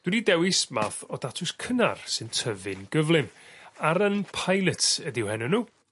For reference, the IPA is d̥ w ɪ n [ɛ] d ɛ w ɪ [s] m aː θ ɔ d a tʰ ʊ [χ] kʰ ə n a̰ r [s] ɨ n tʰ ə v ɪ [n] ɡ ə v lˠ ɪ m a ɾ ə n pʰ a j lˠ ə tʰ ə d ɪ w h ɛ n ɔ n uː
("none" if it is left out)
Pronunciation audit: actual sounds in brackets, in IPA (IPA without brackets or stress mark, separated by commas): i, s, s, s, n